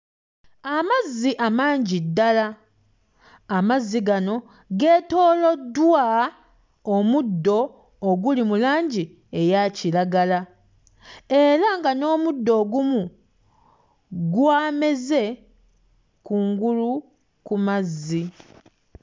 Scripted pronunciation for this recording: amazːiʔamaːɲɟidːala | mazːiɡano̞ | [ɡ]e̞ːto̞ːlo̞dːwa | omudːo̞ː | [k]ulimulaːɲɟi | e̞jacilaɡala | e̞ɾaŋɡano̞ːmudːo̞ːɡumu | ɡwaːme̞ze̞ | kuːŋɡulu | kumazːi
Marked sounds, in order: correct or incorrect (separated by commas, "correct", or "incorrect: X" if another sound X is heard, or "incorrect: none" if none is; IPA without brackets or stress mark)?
correct, incorrect: ɡ